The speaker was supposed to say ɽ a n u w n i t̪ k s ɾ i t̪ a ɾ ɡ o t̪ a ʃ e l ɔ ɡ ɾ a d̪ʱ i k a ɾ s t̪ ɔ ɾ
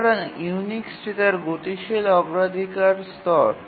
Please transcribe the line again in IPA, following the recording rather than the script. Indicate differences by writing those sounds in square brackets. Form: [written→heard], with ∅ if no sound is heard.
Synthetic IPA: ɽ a n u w n i [t̪→∅] k s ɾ i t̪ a ɾ ɡ o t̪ [a→i] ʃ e l ɔ ɡ ɾ a d̪ʱ i k a ɾ s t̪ ɔ ɾ